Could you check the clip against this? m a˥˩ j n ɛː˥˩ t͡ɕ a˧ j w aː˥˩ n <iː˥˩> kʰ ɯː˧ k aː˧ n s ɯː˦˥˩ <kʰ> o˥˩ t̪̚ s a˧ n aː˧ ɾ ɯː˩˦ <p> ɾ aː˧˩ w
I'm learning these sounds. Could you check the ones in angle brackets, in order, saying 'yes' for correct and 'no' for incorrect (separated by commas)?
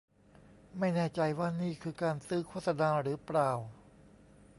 yes, yes, yes